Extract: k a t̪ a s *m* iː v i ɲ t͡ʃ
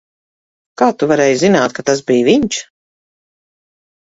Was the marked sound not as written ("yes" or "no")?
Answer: yes